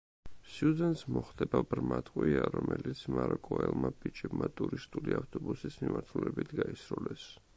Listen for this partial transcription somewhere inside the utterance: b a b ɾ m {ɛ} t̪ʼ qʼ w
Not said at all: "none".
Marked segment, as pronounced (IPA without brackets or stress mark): a